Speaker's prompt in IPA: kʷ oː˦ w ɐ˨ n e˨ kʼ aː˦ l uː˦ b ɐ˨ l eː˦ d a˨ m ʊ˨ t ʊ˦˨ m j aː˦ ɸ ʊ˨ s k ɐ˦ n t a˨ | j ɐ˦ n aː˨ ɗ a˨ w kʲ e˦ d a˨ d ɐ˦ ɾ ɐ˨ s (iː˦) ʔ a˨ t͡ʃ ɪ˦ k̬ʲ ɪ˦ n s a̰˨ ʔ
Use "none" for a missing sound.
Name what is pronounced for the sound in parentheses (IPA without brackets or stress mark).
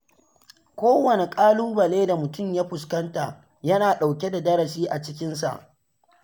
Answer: iː˦